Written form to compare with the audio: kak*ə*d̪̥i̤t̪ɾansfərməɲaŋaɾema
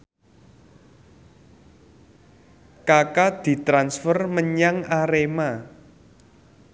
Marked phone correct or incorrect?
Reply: incorrect: a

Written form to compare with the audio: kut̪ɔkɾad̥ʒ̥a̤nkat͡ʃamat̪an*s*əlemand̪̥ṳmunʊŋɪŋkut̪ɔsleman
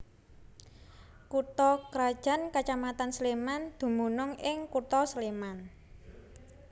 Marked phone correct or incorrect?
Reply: correct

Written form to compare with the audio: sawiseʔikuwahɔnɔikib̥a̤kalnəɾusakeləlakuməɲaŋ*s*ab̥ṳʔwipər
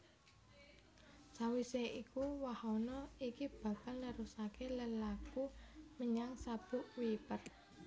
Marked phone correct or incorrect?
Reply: correct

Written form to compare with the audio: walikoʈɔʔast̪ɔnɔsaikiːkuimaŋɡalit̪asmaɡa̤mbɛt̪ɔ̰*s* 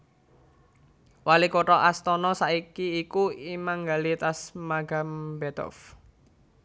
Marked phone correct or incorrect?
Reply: incorrect: f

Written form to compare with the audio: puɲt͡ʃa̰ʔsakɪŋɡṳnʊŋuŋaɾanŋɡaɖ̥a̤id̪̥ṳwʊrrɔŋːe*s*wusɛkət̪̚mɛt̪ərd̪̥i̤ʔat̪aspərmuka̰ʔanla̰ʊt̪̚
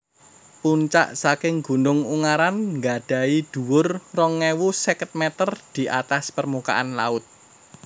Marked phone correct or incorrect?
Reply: incorrect: none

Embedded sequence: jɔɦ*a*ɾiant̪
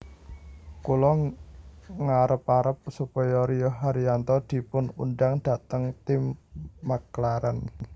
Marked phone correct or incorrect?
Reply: correct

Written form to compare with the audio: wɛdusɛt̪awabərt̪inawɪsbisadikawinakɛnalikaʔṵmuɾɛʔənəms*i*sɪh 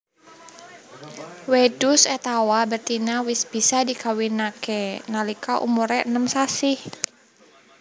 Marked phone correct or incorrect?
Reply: incorrect: a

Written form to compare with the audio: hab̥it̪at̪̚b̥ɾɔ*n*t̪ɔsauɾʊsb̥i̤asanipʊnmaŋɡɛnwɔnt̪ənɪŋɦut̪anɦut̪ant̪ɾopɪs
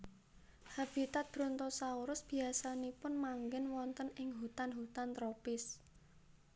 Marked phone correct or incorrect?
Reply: correct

